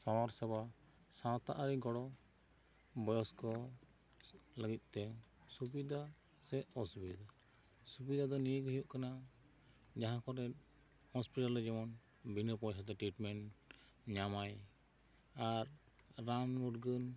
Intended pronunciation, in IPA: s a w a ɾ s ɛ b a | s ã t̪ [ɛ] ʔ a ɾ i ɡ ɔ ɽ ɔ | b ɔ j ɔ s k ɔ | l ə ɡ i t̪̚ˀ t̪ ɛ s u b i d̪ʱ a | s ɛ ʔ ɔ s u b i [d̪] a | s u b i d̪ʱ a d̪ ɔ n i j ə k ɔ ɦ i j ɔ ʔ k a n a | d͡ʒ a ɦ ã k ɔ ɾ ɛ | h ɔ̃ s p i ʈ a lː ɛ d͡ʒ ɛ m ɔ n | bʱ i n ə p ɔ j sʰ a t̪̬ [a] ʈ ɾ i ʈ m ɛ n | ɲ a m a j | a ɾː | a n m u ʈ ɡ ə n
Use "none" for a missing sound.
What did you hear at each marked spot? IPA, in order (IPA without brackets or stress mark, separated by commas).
a, d̪, ɛ